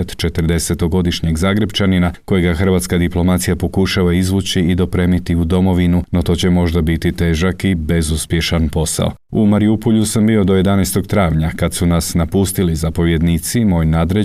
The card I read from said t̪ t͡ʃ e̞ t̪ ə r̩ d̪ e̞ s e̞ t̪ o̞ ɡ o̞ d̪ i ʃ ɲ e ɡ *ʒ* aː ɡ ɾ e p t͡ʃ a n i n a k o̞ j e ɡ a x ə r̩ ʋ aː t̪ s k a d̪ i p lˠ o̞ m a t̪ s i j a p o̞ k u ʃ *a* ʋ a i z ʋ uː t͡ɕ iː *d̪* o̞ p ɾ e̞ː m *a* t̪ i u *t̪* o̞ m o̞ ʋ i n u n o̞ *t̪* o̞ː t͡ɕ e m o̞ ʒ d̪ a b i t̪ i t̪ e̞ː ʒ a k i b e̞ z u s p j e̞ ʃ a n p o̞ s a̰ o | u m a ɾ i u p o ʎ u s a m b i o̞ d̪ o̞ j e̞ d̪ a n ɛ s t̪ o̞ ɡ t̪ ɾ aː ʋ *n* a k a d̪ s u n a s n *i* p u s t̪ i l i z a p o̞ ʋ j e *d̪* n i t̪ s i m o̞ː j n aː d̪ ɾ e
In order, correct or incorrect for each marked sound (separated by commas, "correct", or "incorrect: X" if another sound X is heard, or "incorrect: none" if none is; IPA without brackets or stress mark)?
incorrect: z, correct, correct, incorrect: i, incorrect: d̪, correct, incorrect: ɲ, incorrect: a, correct